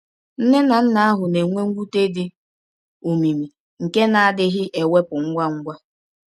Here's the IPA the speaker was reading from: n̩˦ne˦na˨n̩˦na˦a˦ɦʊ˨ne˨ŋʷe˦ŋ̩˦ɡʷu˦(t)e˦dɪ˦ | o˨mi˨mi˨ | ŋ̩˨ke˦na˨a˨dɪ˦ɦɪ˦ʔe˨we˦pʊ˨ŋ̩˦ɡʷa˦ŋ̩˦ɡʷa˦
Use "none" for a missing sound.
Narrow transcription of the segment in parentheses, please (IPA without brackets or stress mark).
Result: t